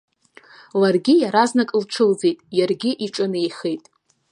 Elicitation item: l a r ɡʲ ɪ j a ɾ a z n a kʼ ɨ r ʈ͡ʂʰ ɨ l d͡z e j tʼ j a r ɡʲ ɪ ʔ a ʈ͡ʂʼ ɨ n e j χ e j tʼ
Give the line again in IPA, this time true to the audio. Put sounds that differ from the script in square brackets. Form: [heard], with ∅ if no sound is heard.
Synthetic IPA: l a r ɡʲ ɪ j a ɾ a z n a kʼ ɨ [l] ʈ͡ʂʰ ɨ l d͡z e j tʼ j a r ɡʲ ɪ ʔ [i] ʈ͡ʂʼ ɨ n e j χ e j tʼ

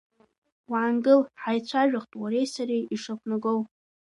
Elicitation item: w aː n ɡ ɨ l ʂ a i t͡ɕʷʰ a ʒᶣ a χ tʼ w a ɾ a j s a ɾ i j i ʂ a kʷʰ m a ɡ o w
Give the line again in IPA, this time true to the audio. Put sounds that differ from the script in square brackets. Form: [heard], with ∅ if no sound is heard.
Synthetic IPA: w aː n ɡ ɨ l [ħ] a [j] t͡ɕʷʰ a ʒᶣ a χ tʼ w a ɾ [e] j s a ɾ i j i ʂ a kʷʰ [n] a ɡ o w

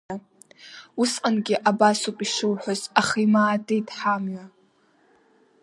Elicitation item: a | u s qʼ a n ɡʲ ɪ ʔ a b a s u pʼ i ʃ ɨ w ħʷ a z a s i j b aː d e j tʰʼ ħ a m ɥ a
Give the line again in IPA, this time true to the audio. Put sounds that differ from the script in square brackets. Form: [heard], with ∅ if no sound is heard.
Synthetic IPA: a | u s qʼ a n ɡʲ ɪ ʔ a b a s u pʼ i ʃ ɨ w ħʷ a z a [χ] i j [m] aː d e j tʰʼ ħ a m ɥ a

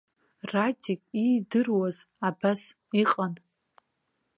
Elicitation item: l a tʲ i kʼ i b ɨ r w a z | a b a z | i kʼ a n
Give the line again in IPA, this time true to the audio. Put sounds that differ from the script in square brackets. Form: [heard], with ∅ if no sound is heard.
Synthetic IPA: [r] a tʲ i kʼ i [d] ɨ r w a z | a b a [s] | i [qʼ] a n

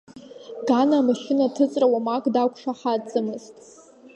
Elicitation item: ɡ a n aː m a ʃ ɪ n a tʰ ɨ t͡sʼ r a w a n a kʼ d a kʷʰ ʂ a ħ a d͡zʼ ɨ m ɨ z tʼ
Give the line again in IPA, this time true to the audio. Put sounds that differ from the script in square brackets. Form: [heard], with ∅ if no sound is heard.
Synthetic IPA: ɡ a n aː m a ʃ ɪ n a tʰ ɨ t͡sʼ r a w a [m] a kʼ d a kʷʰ ʂ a ħ a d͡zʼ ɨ m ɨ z tʼ

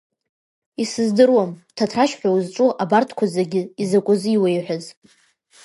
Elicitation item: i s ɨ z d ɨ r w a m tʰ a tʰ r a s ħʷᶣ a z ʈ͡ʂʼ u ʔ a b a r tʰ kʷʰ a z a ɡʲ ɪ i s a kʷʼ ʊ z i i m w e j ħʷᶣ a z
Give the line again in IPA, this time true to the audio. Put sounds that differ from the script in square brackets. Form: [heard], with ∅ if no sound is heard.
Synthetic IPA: i s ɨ z d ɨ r w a m tʰ a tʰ r a [ʃ] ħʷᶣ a z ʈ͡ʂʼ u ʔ a b a r tʰ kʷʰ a z a ɡʲ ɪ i [z] a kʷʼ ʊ z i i [∅] w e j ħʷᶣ a z

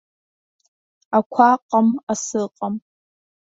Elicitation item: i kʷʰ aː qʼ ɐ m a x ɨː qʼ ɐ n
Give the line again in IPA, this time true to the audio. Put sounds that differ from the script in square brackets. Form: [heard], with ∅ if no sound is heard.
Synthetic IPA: [a] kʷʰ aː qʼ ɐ m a [s] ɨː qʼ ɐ [m]

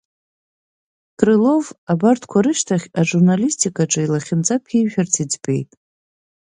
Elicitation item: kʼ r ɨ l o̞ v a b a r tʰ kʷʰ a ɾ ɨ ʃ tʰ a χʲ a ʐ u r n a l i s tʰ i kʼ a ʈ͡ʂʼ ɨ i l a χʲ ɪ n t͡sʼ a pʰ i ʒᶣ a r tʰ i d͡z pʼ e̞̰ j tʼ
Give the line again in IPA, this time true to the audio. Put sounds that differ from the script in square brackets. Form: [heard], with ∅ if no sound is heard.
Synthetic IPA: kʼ r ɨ l o̞ v a b a r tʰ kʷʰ a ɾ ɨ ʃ tʰ a χʲ a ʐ u r n a l i s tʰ i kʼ a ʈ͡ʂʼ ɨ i l a χʲ ɪ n t͡sʼ a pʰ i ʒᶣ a r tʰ i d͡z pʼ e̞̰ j tʼ

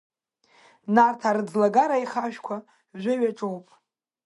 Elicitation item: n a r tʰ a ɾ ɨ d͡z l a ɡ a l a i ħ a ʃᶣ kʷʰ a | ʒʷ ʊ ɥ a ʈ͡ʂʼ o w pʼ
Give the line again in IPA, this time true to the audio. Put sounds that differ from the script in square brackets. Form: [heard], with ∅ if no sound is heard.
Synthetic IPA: n a r tʰ a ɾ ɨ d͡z l a ɡ a [ɾ] a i [χ] a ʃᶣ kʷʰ a | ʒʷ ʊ ɥ a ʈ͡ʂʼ o w pʼ

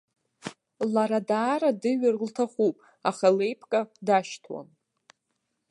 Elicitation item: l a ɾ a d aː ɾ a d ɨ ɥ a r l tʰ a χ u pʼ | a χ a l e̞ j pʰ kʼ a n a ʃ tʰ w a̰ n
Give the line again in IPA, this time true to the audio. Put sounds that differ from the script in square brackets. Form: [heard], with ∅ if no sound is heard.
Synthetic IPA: l a ɾ a d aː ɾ a d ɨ ɥ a r l tʰ a χ u pʼ | a χ a l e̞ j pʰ kʼ a [d] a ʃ tʰ w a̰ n

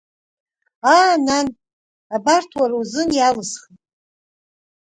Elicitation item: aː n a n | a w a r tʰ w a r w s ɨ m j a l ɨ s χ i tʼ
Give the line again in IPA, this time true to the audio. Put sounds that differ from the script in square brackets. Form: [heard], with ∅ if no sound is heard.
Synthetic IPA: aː n a n | a [b] a r tʰ w a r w [z] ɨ [n] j a l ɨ s χ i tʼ

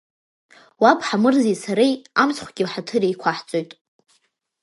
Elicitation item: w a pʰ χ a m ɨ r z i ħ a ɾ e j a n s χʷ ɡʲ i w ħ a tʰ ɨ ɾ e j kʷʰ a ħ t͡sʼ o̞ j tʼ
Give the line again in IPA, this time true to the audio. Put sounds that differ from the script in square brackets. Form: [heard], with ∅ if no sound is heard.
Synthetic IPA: w a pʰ [ħ] a m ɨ r z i [s] a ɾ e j a [m] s χʷ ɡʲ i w ħ a tʰ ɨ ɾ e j kʷʰ a ħ t͡sʼ o̞ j tʼ

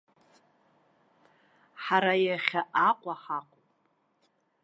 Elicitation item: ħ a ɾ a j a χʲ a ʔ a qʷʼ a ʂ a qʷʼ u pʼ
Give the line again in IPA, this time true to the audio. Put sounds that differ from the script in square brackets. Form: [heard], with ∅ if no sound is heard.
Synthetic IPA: ħ a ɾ a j a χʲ a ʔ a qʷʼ a [ħ] a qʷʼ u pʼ

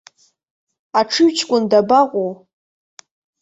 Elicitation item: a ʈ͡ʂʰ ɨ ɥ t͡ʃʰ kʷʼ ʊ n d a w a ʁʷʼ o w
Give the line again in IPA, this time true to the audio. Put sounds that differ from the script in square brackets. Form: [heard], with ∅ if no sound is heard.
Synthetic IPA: a ʈ͡ʂʰ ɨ ɥ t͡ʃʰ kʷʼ ʊ n d a [b] a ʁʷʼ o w

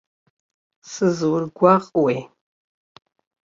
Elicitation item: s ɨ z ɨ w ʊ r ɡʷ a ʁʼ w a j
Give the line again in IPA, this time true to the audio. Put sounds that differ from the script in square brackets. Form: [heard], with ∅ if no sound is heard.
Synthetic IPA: s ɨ z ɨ w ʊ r ɡʷ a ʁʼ w [e] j

